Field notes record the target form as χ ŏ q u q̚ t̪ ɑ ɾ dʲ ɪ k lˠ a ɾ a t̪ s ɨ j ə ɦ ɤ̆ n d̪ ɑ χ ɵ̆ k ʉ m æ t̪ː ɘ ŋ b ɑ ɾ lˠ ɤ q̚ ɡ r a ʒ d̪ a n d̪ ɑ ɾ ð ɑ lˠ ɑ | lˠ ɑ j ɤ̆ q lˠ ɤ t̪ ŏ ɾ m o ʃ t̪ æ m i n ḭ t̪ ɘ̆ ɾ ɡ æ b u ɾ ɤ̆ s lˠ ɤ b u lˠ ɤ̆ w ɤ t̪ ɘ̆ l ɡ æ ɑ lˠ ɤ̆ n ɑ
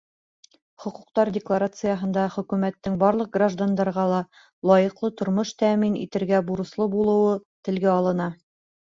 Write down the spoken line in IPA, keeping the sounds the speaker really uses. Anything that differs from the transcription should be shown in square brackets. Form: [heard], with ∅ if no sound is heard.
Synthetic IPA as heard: χ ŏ q u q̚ t̪ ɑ ɾ dʲ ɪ k lˠ a ɾ a t̪ s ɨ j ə ɦ ɤ̆ n d̪ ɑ χ ɵ̆ k ʉ m æ t̪ː ɘ ŋ b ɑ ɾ lˠ ɤ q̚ ɡ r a ʒ d̪ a n d̪ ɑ ɾ [ʁ] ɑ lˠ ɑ | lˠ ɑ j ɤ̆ q lˠ ɤ t̪ ŏ ɾ m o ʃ t̪ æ m i n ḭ t̪ ɘ̆ ɾ ɡ æ b u ɾ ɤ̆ s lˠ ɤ b u lˠ ɤ̆ w ɤ t̪ ɘ̆ l ɡ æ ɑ lˠ ɤ̆ n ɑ